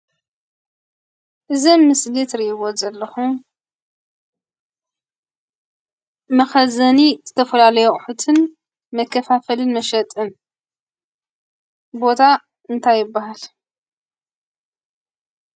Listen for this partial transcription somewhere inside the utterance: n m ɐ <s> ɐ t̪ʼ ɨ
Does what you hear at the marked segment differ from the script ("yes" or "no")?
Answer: yes